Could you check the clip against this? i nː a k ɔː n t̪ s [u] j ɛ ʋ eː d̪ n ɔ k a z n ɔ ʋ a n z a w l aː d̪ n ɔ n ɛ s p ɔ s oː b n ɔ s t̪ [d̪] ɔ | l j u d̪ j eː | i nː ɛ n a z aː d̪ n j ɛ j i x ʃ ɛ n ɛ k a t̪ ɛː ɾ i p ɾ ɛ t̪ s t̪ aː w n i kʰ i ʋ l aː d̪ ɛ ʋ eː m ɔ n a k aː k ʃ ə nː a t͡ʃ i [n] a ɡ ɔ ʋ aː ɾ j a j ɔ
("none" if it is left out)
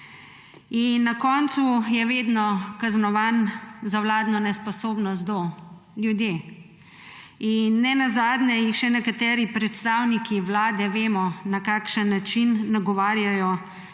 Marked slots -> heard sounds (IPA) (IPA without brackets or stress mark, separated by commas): u, d̪, nː